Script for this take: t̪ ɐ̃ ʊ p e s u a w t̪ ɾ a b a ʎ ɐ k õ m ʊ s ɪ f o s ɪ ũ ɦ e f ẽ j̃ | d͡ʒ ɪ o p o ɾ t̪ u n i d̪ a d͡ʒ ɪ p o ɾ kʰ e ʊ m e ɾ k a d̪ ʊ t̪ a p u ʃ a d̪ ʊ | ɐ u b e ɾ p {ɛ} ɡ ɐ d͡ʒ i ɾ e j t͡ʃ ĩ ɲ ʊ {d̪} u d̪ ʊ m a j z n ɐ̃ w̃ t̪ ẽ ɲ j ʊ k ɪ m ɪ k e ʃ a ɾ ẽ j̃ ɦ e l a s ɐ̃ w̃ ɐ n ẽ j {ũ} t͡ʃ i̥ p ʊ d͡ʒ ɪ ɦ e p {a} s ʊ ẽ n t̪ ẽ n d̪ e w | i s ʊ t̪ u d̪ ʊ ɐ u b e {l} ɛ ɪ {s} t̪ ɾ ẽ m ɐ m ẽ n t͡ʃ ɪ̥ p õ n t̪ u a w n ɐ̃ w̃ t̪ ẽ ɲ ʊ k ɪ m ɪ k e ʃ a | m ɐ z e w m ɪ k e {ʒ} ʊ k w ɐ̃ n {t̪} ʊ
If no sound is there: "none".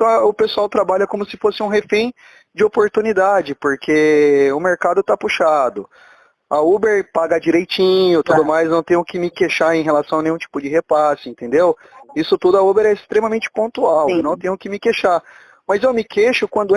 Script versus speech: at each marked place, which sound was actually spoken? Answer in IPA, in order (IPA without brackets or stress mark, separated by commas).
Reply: a, t̪, ũ, a, ɾ, s, ʃ, d̪